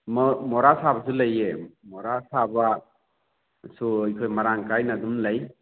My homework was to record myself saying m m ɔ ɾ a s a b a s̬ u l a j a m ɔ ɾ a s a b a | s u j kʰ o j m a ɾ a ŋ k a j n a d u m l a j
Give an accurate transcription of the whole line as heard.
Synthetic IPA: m m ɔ ɾ a s a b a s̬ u l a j e m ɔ ɾ a s a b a | s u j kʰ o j m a ɾ a ŋ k a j n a d u m l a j